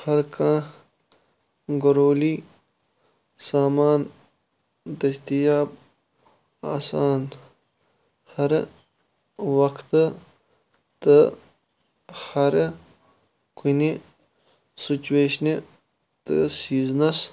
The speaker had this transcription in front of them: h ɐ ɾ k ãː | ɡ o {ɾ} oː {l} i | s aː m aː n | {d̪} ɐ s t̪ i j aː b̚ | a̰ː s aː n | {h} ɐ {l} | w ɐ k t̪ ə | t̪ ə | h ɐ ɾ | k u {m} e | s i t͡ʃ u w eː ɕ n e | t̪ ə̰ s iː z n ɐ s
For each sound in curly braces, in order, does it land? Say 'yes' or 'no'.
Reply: yes, yes, yes, yes, no, no

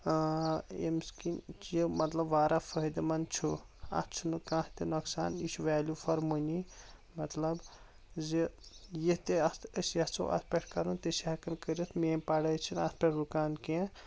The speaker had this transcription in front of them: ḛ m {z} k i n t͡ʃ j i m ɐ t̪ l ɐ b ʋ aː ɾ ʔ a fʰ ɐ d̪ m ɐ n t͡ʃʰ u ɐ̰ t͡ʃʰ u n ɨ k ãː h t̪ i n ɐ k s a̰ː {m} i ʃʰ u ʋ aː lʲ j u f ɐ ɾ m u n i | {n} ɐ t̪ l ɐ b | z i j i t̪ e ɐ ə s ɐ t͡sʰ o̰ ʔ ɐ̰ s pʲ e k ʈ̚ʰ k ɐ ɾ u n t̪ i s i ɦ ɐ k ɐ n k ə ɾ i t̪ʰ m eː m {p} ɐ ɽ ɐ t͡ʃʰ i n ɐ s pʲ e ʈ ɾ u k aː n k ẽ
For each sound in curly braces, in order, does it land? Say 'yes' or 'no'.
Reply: no, no, no, yes

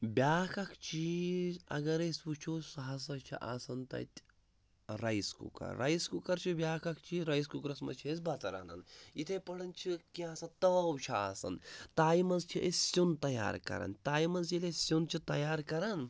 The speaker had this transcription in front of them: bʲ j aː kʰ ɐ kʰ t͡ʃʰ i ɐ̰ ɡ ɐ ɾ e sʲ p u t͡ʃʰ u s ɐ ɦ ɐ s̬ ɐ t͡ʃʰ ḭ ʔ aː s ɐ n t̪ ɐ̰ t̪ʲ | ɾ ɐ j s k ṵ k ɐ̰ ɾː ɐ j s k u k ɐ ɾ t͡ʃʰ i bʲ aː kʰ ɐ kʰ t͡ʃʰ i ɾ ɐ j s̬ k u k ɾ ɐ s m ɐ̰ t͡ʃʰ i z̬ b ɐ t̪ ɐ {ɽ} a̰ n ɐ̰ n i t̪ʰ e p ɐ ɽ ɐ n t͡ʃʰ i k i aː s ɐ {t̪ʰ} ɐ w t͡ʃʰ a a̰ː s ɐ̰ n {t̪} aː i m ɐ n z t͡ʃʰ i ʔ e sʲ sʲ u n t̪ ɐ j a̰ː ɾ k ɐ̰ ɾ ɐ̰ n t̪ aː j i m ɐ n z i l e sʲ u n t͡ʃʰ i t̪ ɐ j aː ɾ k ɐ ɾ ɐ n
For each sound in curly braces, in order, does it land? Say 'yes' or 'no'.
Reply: no, no, yes

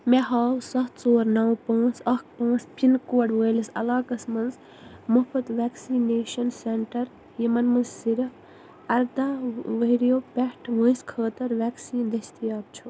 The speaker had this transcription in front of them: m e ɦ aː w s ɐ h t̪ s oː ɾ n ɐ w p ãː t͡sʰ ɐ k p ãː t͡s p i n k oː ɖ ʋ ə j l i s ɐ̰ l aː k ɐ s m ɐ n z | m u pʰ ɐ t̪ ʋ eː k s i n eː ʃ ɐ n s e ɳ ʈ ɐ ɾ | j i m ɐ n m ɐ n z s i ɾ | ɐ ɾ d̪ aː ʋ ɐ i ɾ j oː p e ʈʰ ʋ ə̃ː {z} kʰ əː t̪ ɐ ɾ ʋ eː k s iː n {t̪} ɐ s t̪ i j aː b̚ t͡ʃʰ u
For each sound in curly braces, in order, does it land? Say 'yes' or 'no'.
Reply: no, no

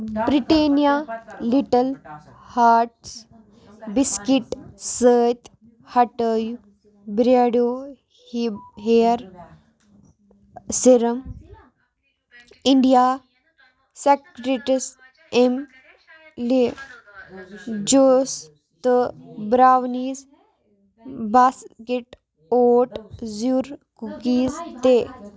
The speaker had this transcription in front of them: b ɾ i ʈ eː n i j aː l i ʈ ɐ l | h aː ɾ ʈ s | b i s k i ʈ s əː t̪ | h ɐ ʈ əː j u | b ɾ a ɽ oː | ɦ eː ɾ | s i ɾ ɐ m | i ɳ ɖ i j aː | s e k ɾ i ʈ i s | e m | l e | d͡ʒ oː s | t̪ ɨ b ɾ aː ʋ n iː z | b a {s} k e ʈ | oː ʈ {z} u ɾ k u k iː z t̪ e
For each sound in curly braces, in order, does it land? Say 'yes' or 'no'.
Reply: yes, yes

